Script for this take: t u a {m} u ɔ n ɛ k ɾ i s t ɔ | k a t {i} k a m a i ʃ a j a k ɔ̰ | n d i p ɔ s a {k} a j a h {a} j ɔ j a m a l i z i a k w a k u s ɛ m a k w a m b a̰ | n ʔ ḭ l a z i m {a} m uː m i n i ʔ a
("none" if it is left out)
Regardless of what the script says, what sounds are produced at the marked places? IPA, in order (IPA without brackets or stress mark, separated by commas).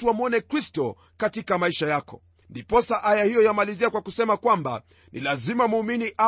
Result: m, i, ʔ, i, a